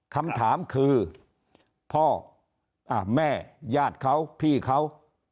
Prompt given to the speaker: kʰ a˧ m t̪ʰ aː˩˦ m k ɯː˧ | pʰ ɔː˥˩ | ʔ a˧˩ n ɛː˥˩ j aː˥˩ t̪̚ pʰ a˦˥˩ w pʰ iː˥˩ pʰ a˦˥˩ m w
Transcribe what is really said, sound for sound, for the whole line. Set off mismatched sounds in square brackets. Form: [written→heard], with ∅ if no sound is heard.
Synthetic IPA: kʰ a˧ m t̪ʰ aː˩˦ m [k→kʰ] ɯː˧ | pʰ ɔː˥˩ | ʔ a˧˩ [n→m] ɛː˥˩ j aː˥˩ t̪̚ [pʰ→kʰ] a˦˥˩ w pʰ iː˥˩ [pʰ→kʰ] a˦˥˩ [m→∅] w